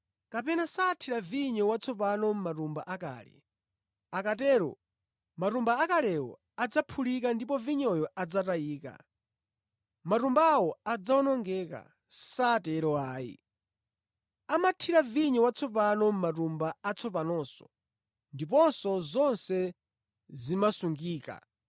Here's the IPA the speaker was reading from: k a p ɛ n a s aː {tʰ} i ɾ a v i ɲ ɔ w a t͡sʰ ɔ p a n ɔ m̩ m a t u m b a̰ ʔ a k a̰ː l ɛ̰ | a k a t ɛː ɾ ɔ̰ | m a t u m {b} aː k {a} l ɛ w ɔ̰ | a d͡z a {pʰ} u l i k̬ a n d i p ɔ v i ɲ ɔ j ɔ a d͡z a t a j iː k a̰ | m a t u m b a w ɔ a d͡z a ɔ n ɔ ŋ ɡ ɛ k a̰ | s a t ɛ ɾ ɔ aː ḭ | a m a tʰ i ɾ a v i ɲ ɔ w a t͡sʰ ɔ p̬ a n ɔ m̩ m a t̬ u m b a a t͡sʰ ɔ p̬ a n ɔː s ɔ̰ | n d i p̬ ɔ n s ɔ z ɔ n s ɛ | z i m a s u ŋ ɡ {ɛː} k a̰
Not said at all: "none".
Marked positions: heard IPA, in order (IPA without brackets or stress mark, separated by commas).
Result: tʰ, b, a, pʰ, iː